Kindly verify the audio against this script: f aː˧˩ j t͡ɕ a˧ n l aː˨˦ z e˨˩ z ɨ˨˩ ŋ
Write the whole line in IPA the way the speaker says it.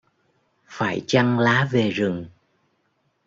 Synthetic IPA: f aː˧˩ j t͡ɕ a˧ ŋ l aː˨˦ v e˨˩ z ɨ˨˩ ŋ